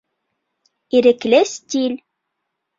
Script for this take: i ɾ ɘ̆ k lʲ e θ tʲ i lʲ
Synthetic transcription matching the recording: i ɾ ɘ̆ k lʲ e s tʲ i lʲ